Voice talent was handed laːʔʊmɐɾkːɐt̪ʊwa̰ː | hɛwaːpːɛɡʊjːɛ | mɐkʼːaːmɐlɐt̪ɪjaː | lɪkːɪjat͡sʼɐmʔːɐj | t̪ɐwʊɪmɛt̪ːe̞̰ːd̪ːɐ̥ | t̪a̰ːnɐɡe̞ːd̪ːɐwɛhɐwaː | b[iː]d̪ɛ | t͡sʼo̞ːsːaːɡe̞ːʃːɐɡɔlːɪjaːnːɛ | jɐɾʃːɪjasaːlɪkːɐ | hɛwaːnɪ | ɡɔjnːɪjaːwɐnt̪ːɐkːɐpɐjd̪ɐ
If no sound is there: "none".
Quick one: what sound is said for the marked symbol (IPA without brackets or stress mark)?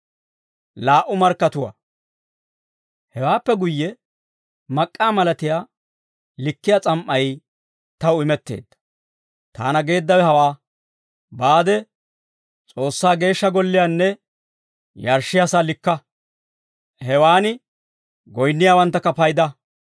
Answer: aː